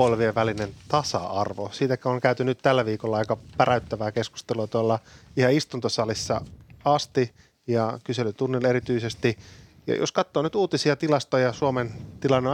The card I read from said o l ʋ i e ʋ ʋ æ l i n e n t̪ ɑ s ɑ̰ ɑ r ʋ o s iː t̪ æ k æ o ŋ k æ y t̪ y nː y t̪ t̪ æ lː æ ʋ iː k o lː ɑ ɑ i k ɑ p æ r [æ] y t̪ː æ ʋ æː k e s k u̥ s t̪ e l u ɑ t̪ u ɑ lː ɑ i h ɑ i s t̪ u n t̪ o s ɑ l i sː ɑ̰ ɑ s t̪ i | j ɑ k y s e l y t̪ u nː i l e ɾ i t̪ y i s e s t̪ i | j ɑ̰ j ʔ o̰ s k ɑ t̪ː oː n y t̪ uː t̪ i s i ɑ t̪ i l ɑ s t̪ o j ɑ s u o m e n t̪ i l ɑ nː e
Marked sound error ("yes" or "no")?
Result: no